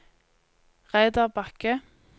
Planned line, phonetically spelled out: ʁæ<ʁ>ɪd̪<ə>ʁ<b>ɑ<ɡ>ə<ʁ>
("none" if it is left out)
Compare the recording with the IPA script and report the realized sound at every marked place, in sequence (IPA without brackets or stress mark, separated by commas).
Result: none, ɑ, b, k, none